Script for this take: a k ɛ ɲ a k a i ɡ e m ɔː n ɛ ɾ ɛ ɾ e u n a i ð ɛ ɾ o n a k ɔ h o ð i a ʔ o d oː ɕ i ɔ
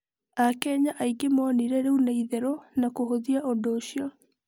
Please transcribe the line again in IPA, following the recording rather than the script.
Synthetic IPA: a k ɛ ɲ a ʔ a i ɡ e m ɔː n i ɾ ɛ ɾ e u n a i ð ɛ ɾ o n a k o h o ð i a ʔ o d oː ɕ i ɔ